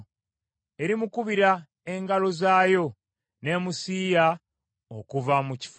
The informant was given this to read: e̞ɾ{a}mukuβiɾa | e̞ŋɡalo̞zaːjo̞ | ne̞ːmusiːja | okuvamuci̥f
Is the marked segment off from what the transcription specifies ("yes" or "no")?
yes